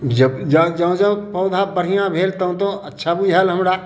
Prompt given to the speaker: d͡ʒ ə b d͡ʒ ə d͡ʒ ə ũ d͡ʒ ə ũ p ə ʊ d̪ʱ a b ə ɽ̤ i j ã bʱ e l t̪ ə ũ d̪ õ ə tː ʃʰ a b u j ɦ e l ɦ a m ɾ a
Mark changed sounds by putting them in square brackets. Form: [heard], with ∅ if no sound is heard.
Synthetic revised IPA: d͡ʒ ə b d͡ʒ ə d͡ʒ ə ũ d͡ʒ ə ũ p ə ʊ d̪ʱ a b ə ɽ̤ i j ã bʱ e l t̪ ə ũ [t̪] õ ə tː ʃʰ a b u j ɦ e l ɦ [ə] m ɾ a

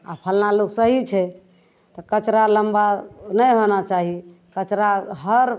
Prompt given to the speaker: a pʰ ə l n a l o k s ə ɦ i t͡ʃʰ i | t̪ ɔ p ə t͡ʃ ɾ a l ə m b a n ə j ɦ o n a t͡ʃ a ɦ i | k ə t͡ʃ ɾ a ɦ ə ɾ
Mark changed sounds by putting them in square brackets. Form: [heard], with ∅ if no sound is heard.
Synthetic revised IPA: a pʰ ə l n a l o k s ə ɦ i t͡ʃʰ [ɛ] | t̪ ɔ [k] ə t͡ʃ ɾ a l ə m b a n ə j ɦ o n a t͡ʃ a ɦ i | k ə t͡ʃ ɾ a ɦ ə ɾ

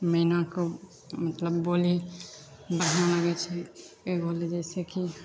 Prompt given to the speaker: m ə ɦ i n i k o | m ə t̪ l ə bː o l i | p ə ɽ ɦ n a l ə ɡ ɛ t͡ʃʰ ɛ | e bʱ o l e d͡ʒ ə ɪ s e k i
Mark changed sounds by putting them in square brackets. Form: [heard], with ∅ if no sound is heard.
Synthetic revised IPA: m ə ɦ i n [a] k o | m ə t̪ l ə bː o l i | [b] ə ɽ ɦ n a l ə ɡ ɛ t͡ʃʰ ɛ | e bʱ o l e d͡ʒ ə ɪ s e k i

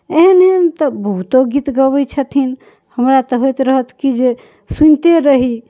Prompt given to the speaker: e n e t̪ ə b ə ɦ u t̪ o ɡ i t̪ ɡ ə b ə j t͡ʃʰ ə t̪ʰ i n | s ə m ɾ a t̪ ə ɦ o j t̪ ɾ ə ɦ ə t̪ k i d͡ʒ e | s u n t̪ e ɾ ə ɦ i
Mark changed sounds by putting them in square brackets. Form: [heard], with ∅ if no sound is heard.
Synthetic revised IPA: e n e t̪ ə b ə ɦ u t̪ o ɡ i t̪ ɡ ə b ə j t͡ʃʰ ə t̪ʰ i n | [h] ə m ɾ a t̪ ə ɦ o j t̪ ɾ ə ɦ ə t̪ k i d͡ʒ e | s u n t̪ e ɾ ə ɦ i

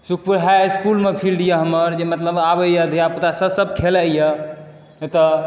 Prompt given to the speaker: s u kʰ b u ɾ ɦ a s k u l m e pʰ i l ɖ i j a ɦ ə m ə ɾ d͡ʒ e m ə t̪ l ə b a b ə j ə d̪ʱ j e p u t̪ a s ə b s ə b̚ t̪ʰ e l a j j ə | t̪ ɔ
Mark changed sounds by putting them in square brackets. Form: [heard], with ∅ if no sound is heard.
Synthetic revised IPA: s u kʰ [p] u ɾ ɦ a s k u l m e pʰ i l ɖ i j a ɦ ə m ə ɾ d͡ʒ e m ə t̪ l ə b a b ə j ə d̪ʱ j [a] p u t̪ a s ə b s ə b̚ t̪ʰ e l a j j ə | t̪ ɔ

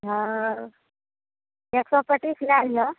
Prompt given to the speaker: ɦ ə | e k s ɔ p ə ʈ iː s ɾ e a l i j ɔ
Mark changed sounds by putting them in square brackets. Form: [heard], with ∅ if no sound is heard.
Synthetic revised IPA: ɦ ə | e k s ɔ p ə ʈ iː s [l] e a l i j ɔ

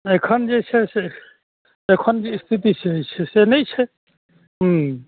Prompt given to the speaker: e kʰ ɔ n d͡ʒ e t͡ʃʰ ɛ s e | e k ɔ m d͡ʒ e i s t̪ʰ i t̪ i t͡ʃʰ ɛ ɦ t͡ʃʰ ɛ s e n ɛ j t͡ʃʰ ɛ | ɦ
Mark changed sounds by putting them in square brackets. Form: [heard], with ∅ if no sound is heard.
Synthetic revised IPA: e kʰ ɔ n d͡ʒ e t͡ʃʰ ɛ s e | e [kʰ] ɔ [n] d͡ʒ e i s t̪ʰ i t̪ i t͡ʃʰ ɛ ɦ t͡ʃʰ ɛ s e n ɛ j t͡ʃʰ ɛ | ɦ

